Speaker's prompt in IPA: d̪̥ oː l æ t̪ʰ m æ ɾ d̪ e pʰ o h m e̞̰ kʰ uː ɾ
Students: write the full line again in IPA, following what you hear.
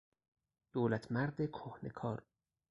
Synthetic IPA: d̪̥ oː l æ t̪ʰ m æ ɾ d̪ e kʰ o h n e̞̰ kʰ ɒː ɾ